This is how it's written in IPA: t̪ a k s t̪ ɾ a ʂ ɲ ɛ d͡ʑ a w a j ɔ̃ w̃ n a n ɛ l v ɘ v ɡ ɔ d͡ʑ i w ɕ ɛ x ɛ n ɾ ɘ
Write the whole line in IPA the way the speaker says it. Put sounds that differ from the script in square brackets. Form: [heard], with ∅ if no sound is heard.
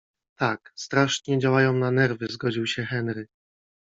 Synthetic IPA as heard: t̪ a k s t̪ ɾ a ʂ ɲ ɛ d͡ʑ a w a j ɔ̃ w̃ n a n ɛ [ɾ] v ɘ [z] ɡ ɔ d͡ʑ i w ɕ ɛ x ɛ n ɾ ɘ